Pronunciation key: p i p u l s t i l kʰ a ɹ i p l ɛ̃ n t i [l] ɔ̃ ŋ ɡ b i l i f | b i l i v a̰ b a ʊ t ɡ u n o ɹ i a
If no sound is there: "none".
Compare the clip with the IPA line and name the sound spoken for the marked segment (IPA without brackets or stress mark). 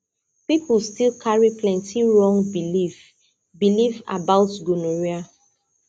ɹ